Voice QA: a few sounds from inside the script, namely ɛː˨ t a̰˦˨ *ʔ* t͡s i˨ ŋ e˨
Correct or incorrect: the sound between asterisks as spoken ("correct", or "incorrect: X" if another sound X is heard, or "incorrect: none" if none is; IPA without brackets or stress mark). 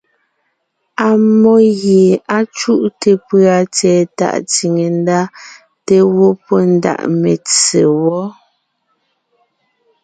correct